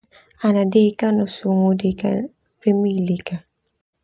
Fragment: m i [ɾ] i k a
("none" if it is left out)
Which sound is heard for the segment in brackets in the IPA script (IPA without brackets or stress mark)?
l